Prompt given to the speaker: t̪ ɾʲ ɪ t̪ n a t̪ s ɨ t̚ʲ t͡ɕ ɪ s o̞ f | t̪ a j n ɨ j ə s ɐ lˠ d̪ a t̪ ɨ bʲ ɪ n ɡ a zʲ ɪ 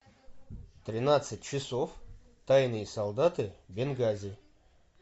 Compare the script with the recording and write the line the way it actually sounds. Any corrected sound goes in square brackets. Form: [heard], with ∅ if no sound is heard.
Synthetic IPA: t̪ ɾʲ ɪ [∅] n a t̪ s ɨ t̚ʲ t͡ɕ ɪ s o̞ f | t̪ a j n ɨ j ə s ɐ lˠ d̪ a t̪ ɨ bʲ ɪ n ɡ a zʲ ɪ